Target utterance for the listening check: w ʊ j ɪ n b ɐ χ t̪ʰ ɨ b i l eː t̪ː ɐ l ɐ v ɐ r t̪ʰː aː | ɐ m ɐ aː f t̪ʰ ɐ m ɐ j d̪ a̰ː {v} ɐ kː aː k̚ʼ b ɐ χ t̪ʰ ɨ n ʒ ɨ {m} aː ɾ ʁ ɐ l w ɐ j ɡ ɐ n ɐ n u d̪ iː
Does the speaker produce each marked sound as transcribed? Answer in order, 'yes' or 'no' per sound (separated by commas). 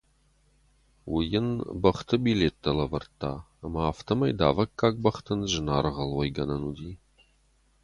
yes, no